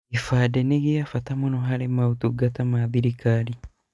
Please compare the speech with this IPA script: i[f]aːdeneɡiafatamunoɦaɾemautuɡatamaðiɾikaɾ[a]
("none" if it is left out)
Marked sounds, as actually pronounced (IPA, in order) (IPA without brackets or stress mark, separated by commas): f, i